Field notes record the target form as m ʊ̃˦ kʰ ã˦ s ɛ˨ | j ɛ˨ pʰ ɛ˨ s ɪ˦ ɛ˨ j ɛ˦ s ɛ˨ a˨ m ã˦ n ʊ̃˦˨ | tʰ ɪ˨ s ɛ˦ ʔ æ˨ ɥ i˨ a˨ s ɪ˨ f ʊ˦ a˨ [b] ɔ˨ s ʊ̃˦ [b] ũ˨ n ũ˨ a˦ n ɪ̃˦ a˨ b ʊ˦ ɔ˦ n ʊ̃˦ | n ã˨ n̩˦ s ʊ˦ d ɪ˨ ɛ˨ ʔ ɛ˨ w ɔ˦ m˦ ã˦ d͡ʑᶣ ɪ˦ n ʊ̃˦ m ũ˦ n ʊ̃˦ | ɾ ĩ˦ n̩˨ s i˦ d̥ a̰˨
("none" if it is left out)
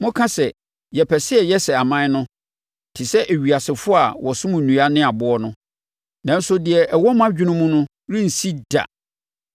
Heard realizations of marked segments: w, m

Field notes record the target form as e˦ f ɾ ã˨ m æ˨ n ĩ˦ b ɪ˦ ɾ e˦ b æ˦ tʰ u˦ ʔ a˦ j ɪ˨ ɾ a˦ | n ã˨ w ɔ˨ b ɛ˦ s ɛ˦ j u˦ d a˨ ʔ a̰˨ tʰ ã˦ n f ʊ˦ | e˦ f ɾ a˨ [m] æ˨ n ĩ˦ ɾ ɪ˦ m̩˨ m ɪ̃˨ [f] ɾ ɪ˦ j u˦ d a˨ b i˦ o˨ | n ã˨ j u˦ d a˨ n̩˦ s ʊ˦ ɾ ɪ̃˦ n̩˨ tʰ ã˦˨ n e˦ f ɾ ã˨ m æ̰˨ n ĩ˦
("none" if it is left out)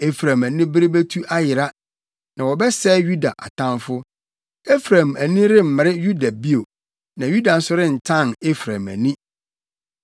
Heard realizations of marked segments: m, none

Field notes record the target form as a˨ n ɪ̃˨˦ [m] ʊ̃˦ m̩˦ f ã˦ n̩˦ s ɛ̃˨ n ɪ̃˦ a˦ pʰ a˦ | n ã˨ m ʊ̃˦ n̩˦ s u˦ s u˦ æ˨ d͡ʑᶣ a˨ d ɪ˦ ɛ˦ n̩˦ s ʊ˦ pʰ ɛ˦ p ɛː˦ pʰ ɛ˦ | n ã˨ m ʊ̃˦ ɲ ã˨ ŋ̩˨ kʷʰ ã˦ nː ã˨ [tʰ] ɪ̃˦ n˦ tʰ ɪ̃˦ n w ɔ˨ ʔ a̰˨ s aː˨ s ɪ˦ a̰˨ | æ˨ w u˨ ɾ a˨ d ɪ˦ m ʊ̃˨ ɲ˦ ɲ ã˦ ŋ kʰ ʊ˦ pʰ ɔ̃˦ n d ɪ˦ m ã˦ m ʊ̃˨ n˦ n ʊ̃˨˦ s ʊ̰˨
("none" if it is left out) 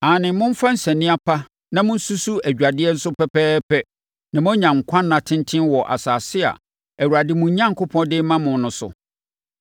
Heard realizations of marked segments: m, tʰ

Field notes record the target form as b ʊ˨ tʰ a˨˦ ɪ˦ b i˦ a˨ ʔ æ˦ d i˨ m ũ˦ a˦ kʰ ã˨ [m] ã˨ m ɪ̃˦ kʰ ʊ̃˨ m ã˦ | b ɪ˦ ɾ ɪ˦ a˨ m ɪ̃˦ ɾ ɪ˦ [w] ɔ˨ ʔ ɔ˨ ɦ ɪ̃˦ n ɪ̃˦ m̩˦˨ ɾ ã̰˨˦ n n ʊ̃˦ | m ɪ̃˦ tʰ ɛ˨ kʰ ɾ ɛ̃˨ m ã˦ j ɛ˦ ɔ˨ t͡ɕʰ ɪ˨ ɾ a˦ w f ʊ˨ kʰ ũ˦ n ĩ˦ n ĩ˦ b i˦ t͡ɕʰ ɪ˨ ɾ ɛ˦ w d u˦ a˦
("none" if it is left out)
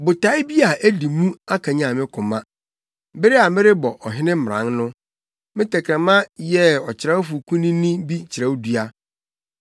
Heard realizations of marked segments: ɲ, b

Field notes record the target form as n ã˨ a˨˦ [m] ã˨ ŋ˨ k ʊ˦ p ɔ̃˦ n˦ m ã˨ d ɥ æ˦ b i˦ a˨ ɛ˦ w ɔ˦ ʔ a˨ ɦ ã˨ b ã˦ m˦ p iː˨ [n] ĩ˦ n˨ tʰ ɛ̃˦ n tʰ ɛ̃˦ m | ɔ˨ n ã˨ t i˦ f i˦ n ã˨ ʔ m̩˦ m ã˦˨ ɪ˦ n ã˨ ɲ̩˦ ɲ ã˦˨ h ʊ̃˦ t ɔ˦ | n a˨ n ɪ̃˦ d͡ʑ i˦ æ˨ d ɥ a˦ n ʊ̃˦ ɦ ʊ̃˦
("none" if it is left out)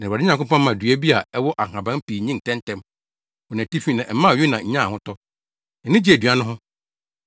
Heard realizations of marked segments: ɲ, ɲ

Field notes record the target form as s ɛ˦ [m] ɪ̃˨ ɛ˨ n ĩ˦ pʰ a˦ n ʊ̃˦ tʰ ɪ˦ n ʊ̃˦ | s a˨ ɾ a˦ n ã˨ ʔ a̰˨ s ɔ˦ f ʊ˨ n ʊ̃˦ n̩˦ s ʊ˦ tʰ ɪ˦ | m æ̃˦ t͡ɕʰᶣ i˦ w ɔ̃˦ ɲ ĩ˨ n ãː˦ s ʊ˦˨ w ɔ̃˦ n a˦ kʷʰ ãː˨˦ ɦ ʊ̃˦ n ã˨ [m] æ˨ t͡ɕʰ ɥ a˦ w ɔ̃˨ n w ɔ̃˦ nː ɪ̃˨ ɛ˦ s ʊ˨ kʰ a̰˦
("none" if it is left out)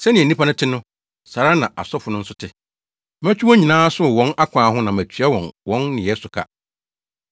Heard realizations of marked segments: n, m

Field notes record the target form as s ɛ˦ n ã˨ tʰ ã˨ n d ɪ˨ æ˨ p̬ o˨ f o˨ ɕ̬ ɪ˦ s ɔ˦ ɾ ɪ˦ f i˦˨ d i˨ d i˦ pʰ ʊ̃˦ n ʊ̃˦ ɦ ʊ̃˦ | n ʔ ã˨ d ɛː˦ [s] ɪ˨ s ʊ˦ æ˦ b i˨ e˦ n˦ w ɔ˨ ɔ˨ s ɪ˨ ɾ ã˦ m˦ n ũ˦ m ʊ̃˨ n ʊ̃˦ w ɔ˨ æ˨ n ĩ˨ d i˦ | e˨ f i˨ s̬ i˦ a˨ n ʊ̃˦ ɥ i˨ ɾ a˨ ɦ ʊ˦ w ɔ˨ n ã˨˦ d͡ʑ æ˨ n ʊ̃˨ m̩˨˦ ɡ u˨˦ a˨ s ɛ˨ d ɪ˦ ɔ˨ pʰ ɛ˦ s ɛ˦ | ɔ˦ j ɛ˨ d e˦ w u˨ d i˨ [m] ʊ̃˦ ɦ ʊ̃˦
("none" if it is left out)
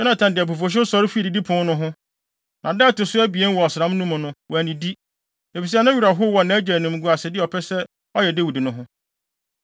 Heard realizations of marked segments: t, n

